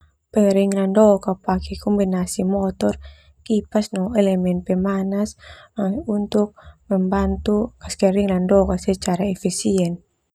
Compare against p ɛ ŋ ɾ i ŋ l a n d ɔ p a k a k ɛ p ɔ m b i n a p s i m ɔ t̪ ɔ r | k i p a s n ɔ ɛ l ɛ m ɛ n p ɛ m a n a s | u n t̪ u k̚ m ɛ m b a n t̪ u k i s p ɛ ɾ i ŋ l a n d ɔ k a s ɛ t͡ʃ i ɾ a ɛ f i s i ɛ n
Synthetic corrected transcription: p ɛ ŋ ɾ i ŋ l a n d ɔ k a p a k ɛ k ɔ m b i n a s i m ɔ t̪ ɔ r | k i p a s n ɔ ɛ l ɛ m ɛ n p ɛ m a n a s | u n t̪ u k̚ m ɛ m b a n t̪ u k a s k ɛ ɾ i ŋ l a n d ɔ k a s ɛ t͡ʃ a ɾ a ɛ f i s i ɛ n